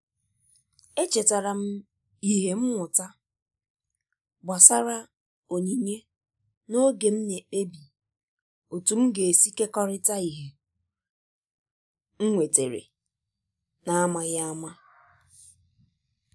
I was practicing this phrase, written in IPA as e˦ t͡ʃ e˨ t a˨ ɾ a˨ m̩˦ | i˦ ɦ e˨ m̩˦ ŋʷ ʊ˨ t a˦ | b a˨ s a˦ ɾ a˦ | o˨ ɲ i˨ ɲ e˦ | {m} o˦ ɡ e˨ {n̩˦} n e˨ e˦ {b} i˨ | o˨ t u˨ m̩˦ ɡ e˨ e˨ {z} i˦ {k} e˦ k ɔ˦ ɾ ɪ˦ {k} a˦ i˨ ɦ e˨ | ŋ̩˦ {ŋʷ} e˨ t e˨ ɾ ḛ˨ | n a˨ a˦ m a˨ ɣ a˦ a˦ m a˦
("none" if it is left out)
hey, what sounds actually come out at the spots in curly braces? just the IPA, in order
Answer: n, m̩˦, b, s, k, t, ŋʷ

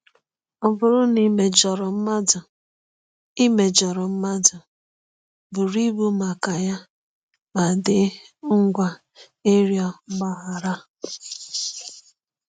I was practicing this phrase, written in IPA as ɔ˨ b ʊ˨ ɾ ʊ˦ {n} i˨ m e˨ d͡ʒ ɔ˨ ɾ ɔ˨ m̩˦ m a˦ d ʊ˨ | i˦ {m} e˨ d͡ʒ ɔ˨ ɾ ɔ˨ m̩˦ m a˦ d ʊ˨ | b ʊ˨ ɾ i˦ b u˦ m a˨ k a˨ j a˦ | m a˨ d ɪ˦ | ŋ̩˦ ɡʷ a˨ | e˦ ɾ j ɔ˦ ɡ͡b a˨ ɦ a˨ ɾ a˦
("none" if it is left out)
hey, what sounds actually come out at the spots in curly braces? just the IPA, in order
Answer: n, m

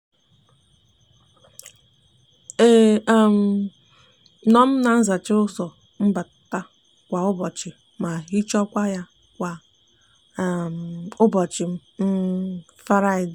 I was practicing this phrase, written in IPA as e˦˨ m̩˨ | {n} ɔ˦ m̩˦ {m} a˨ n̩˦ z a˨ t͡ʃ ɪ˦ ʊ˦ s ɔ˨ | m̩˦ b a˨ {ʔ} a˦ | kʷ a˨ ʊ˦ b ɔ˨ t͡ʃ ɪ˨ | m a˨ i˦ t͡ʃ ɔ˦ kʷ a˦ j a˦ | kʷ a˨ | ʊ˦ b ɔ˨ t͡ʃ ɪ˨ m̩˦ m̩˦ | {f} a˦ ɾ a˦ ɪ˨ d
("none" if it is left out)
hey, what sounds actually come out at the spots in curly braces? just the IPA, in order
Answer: n, n, t, f

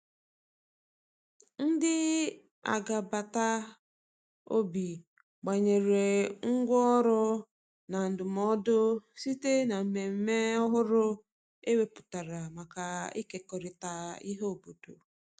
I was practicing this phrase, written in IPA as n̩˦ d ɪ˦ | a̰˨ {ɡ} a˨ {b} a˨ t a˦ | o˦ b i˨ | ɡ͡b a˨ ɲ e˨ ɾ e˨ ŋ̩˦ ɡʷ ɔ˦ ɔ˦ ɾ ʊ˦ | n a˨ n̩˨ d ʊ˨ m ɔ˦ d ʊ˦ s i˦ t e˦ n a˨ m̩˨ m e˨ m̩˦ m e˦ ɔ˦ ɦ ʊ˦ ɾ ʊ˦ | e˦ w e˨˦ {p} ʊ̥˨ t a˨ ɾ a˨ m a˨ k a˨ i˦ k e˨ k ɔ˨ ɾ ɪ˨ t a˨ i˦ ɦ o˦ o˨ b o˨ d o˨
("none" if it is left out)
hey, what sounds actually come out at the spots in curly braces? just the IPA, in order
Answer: ɡ, b, p

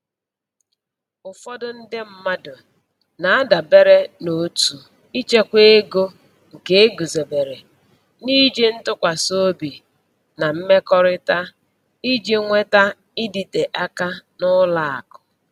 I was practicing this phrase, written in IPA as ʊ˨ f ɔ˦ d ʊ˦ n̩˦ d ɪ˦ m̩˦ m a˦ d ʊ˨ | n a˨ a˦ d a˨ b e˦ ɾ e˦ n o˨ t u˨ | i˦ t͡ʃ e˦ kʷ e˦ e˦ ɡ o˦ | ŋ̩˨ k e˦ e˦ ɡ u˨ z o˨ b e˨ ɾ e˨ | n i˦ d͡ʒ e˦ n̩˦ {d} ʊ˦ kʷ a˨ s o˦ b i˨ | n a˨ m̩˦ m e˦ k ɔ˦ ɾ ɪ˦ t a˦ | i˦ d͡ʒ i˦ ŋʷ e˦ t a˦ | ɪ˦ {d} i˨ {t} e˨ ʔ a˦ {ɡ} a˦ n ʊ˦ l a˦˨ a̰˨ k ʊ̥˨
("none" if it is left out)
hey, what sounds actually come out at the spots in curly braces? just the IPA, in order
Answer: t, d, t, k

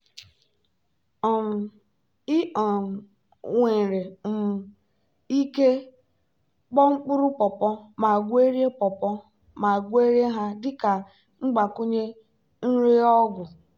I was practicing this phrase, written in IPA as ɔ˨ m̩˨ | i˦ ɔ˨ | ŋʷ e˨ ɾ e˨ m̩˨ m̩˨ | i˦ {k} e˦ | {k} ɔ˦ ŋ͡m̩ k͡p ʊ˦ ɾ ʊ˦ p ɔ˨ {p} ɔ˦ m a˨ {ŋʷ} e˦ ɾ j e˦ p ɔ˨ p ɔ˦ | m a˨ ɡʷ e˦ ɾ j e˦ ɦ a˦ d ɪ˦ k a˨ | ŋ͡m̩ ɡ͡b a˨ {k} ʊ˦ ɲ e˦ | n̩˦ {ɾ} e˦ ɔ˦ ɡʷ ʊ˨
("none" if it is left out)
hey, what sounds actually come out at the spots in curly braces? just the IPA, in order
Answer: k, k͡p, p, ɡʷ, k, ɾ

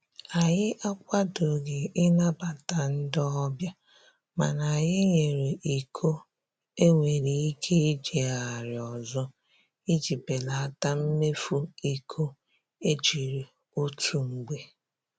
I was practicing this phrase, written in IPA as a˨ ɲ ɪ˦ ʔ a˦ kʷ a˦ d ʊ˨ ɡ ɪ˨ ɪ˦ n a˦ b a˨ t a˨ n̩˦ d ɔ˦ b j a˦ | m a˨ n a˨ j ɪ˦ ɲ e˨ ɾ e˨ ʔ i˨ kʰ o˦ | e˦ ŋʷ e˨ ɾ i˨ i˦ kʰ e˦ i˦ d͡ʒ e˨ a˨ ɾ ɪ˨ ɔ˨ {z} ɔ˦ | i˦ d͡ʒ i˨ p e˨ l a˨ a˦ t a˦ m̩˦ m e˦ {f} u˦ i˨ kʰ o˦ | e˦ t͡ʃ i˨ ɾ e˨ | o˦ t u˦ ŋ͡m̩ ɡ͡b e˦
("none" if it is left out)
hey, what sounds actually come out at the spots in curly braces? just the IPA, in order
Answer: z, f

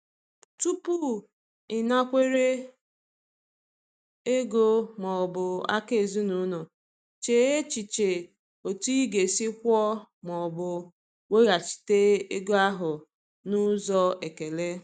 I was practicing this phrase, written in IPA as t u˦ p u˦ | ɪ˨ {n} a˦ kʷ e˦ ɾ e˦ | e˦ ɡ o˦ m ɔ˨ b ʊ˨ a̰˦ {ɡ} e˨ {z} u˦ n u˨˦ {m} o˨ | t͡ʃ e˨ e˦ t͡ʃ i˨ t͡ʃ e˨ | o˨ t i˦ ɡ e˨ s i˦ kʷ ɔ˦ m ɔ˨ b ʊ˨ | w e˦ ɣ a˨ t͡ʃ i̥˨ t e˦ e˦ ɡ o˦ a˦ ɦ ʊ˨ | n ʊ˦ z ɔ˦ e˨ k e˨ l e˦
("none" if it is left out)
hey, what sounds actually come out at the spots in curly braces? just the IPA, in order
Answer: n, k, z, n

